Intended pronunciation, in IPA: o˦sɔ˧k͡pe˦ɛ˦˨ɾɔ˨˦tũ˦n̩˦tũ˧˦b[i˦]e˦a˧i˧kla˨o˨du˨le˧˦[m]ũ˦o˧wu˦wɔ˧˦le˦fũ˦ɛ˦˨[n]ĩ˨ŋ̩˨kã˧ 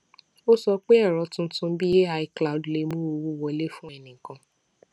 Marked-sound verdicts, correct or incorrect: correct, correct, correct

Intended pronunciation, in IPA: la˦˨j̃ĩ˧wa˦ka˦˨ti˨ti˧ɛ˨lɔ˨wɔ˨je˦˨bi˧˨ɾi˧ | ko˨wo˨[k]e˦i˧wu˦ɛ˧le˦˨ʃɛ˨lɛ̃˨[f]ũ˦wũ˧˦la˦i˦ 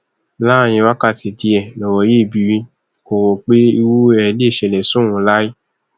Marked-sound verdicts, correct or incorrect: incorrect, incorrect

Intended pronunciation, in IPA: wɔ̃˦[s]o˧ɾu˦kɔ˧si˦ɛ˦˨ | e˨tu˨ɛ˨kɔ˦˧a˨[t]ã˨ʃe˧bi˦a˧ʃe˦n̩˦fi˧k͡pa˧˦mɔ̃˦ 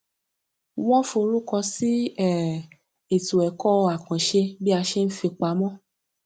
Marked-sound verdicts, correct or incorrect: incorrect, incorrect

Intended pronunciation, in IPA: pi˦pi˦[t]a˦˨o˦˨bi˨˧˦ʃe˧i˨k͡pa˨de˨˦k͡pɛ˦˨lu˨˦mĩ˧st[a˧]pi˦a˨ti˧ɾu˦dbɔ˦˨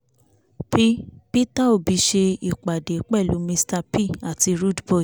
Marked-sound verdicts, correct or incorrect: correct, correct

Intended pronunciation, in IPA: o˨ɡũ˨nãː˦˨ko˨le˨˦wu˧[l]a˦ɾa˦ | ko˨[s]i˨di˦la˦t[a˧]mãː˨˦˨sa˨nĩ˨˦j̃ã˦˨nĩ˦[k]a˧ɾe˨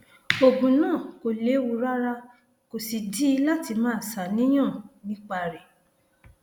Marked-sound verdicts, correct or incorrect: incorrect, correct, incorrect, incorrect

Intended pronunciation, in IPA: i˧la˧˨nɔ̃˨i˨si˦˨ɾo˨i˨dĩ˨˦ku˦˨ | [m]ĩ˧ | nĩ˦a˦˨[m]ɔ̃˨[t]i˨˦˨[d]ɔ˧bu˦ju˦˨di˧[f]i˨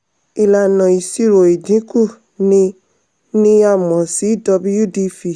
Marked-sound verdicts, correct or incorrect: incorrect, correct, incorrect, correct, correct

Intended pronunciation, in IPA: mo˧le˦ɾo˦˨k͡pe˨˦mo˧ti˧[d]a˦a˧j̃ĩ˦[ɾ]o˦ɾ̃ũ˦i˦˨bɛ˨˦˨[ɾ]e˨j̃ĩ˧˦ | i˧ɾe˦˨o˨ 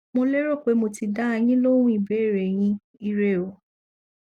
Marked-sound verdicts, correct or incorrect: correct, incorrect, correct

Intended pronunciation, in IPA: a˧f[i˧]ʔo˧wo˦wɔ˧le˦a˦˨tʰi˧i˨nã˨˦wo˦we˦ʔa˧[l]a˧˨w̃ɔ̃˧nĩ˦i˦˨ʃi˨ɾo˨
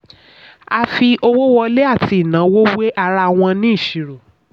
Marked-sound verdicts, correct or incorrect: correct, incorrect

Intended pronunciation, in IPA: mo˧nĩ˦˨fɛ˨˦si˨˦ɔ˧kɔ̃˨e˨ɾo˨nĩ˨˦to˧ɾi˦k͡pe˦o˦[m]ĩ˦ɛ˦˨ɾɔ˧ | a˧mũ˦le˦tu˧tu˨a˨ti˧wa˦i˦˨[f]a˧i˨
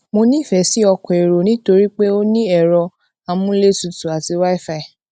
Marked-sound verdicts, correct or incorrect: incorrect, correct

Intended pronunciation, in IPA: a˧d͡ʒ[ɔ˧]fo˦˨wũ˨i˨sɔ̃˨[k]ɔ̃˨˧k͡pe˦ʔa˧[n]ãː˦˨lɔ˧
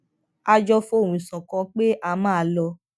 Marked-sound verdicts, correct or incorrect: correct, correct, incorrect

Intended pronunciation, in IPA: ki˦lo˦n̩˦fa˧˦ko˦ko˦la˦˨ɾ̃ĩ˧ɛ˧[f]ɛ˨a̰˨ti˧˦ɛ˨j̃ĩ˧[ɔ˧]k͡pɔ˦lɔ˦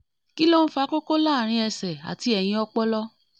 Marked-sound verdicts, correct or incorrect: incorrect, correct

